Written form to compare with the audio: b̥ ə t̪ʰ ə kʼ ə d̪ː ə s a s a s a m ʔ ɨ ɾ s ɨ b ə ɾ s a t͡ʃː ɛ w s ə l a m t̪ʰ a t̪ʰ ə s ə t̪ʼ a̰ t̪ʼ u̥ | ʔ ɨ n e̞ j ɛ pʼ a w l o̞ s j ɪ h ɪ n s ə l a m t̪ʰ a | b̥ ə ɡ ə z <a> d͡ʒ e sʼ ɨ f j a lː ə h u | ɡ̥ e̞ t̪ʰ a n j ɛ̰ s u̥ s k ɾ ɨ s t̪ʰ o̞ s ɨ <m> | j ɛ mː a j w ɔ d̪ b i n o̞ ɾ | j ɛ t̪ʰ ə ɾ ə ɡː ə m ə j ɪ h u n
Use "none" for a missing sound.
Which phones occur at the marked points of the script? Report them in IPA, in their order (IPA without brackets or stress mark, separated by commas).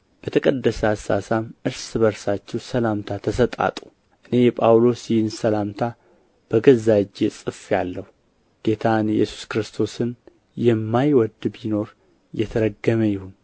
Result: a, n